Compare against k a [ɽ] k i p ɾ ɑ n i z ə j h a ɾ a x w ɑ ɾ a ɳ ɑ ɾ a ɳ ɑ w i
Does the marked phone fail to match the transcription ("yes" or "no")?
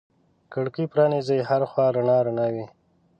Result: no